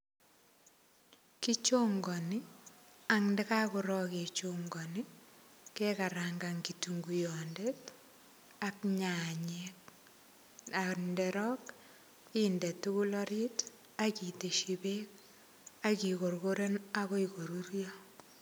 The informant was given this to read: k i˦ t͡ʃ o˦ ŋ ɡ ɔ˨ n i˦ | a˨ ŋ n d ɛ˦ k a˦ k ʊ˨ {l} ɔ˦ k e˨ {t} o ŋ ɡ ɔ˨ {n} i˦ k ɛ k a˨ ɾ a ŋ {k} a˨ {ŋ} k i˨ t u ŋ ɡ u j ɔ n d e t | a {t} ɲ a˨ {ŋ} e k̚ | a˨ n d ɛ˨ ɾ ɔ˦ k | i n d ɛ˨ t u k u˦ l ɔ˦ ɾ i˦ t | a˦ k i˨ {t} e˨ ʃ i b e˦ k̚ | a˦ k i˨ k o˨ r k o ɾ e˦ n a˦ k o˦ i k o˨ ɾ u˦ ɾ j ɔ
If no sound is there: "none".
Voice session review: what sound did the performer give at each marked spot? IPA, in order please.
ɾ, t͡ʃ, n, ɡ, ŋ, k, ɲ, t

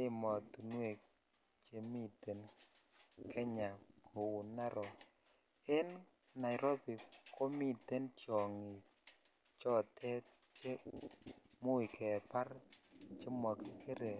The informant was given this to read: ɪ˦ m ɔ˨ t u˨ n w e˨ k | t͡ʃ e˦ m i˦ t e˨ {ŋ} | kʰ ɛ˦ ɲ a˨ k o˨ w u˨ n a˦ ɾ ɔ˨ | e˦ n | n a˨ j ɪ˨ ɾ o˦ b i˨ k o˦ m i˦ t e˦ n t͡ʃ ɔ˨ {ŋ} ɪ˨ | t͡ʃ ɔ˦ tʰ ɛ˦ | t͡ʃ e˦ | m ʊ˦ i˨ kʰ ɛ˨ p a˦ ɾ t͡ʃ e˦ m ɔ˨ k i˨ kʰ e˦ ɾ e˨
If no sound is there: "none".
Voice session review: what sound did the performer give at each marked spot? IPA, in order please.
n, ŋ

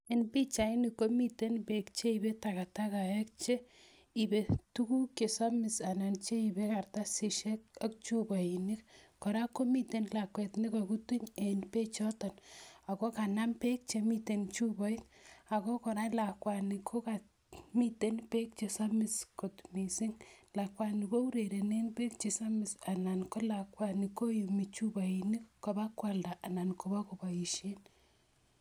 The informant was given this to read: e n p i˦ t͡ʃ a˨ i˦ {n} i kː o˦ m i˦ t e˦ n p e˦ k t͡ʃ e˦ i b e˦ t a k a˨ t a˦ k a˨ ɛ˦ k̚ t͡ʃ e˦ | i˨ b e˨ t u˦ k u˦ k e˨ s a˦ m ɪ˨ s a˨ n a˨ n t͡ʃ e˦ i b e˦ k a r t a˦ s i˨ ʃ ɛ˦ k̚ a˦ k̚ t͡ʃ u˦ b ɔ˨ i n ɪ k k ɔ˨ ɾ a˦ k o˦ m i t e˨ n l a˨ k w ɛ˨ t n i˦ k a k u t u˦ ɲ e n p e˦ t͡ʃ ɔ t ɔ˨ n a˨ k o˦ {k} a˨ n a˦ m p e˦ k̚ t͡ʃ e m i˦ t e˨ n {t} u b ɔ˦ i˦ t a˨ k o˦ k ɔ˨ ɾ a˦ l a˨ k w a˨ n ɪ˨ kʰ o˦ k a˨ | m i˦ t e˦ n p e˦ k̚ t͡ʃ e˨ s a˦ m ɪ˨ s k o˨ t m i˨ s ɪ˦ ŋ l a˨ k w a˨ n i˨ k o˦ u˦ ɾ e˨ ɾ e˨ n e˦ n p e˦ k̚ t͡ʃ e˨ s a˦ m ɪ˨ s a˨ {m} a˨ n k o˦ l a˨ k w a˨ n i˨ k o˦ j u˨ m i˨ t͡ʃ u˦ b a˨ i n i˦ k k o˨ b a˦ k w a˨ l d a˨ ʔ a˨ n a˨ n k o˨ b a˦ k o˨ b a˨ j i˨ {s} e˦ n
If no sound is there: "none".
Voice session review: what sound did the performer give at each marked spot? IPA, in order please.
n, k, t͡ʃ, n, ʃ

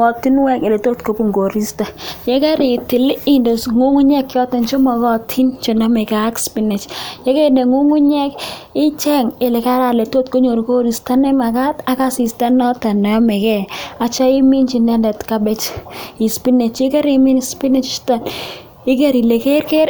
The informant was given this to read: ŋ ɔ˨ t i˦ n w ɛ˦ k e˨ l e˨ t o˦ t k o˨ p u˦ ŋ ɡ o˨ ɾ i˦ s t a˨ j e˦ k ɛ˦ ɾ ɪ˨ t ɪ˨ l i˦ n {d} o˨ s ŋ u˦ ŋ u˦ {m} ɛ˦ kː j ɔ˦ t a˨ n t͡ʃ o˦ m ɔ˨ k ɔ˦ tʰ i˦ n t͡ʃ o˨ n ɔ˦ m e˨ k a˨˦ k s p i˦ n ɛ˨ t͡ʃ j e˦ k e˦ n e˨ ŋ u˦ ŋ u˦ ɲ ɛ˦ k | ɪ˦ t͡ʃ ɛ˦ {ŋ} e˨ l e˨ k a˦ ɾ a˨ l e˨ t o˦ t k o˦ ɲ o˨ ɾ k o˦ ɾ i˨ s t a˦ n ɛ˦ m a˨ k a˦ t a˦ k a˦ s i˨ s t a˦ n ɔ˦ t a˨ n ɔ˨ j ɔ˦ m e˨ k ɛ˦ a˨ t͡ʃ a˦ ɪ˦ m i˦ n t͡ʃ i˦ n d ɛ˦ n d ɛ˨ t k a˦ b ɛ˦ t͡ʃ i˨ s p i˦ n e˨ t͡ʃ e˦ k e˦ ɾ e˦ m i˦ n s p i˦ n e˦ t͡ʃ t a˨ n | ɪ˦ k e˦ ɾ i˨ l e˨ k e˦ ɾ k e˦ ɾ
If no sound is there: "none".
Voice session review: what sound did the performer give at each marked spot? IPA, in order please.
d, ɲ, ŋ

